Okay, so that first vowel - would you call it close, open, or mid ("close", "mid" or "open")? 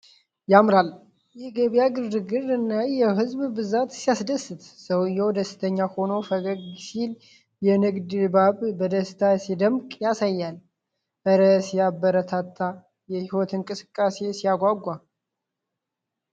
open